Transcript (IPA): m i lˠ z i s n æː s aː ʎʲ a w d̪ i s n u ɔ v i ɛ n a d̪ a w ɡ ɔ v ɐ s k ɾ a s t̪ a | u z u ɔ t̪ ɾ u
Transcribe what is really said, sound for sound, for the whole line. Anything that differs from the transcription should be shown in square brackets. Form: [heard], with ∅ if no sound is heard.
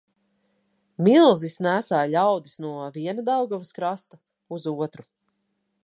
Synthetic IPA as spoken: m i lˠ z i s n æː s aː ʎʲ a w d̪ i s n u ɔ v i ɛ n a d̪ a w ɡ ɔ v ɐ s k ɾ a s t̪ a | u z u ɔ t̪ ɾ u